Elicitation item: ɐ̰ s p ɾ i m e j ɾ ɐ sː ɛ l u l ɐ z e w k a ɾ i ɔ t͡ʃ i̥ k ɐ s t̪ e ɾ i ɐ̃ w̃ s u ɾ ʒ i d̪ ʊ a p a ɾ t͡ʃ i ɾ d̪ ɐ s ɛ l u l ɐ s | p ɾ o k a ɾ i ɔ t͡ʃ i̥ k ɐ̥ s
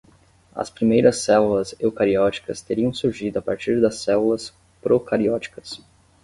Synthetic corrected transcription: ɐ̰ s p ɾ i m e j ɾ ɐ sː ɛ l u l ɐ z e w k a ɾ i ɔ t͡ʃ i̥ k ɐ s t̪ e ɾ i ɐ̃ w̃ s u ɾ ʒ i d̪ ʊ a p a ɾ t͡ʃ i ɾ d̪ ɐ s ɛ l u l ɐ s | p ɾ o k a ɾ i ɔ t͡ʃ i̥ k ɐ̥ s